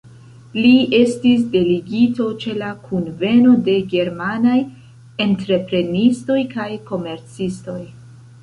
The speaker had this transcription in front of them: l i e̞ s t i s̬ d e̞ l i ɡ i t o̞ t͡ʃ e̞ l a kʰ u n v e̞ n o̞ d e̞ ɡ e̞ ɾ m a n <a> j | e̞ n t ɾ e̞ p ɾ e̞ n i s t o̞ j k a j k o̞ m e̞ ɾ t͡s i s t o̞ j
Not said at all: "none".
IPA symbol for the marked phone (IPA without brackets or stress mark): a